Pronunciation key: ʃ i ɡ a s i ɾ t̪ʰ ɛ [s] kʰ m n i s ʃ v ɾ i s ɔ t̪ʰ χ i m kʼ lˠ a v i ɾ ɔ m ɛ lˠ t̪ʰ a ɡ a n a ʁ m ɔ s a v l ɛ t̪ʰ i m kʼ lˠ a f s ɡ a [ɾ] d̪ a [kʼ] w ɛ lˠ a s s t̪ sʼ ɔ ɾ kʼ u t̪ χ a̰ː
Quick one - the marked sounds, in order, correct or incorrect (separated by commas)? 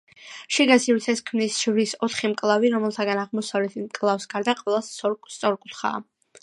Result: correct, correct, incorrect